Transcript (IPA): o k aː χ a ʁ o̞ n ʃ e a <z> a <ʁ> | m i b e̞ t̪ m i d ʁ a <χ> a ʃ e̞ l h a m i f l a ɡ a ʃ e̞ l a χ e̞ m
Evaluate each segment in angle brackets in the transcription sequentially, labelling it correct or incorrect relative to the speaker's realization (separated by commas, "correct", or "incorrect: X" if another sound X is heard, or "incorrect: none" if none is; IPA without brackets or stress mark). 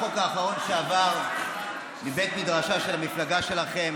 incorrect: v, correct, incorrect: ʃ